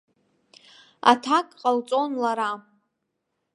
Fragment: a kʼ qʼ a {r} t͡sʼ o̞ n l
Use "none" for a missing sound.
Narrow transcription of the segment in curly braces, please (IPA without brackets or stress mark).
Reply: l